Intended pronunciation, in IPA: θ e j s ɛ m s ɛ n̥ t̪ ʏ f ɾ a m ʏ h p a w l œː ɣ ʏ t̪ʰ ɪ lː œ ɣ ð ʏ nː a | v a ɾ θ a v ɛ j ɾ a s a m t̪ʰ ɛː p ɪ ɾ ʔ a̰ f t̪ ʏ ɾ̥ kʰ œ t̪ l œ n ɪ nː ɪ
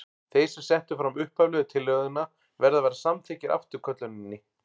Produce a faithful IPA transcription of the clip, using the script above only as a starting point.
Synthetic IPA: θ e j s ɛ m s ɛ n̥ t̪ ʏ f ɾ a m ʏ h p a v l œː ð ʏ t̪ʰ ɪ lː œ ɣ ð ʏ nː a | v ɛ ɾ ð a v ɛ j ɾ a s a m t̪ʰ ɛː c ɪ ɾ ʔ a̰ f t̪ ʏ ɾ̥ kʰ œ t̪ l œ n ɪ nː ɪ